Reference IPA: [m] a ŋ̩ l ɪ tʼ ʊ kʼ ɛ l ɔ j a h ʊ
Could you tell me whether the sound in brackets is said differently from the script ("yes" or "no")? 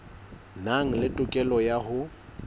yes